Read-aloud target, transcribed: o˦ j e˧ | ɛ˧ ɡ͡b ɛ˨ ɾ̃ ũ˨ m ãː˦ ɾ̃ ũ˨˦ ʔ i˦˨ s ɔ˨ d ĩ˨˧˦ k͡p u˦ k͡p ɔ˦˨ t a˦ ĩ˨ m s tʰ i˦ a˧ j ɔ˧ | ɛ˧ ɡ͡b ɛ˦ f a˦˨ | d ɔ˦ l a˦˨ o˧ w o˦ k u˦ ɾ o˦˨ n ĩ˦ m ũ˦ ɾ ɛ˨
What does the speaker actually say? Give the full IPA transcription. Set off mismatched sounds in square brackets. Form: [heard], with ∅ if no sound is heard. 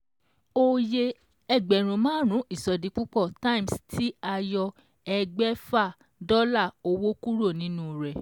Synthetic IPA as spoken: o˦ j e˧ | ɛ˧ ɡ͡b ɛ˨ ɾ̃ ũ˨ m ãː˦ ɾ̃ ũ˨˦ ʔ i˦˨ s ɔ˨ d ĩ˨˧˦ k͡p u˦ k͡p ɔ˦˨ t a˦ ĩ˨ m s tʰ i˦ a˧ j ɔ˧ | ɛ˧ ɡ͡b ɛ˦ f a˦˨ | d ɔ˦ l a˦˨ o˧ w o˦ k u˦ ɾ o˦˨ n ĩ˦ [n] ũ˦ ɾ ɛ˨